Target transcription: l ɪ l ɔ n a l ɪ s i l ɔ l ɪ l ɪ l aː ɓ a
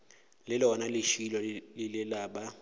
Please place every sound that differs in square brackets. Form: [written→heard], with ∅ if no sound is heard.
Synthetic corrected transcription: l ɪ l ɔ n a l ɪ [s→ʃ] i l ɔ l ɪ l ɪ l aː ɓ a

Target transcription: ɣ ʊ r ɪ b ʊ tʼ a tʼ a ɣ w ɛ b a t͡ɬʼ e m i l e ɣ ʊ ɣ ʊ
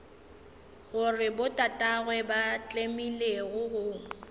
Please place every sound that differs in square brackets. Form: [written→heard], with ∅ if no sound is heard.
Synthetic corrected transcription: ɣ ʊ r ɪ b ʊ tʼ a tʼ a ɣ w ɛ b a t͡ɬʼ e m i l e ɣ ʊ ɣ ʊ

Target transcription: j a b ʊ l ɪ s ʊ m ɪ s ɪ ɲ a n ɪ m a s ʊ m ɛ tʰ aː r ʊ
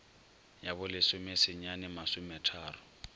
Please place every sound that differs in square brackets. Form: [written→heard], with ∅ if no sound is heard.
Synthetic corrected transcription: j a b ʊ l ɪ s ʊ m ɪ s ɪ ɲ a n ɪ m a s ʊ m ɛ tʰ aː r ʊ

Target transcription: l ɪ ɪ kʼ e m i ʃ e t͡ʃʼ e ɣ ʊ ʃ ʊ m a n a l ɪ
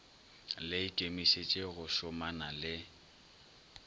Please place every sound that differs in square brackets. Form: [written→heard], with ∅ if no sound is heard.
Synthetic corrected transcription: l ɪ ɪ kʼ e m i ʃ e t͡ʃʼ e ɣ ʊ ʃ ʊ m a n a l ɪ

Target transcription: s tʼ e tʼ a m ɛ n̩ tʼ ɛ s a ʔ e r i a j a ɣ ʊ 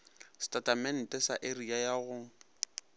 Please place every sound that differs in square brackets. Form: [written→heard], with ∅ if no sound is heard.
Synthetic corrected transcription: s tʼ [e→a] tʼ a m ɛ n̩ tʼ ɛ s a ʔ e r i a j a ɣ ʊ

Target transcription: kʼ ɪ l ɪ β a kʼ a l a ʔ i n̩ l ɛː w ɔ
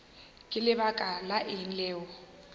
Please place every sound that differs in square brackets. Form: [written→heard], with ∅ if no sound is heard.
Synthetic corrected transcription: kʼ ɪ l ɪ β a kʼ a l a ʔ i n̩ l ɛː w ɔ

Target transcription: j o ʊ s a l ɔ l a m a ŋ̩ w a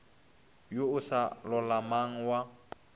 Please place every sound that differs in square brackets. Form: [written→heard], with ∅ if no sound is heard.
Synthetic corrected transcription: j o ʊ s a l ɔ l a m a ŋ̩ w a

